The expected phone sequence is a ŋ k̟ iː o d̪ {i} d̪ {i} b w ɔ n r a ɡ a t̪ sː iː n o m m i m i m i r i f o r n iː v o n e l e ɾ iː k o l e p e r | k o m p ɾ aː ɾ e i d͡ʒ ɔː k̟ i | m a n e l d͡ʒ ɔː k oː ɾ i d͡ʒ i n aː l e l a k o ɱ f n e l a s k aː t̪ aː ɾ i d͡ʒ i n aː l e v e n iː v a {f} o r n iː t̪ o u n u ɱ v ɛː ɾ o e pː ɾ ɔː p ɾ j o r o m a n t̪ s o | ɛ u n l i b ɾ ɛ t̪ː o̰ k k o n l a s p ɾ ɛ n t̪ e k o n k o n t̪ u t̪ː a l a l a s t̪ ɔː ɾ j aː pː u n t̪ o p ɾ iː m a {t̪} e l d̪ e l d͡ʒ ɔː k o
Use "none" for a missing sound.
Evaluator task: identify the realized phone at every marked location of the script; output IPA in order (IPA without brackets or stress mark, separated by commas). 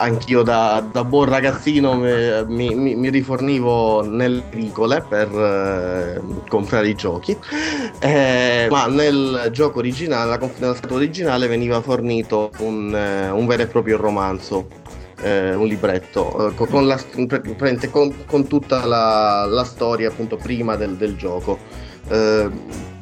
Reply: a, a, f, d̪